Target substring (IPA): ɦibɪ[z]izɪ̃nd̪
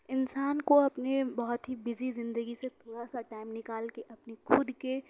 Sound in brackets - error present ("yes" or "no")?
no